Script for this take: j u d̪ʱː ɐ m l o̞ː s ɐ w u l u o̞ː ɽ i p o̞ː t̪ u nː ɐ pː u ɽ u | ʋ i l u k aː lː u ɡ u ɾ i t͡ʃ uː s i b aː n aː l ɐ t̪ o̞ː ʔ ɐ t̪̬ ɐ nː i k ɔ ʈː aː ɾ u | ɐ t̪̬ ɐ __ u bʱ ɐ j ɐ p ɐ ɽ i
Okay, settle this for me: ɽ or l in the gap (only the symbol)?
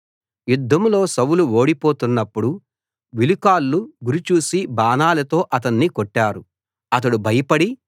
ɽ